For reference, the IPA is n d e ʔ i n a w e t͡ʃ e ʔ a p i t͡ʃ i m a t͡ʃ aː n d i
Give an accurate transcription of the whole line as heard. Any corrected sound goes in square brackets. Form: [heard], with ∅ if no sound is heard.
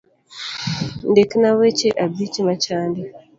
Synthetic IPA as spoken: n d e [k] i n a w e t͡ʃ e ʔ a [b] i t͡ʃ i m a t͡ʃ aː n d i